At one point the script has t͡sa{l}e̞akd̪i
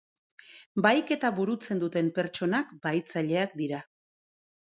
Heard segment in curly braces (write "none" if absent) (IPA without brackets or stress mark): ʎ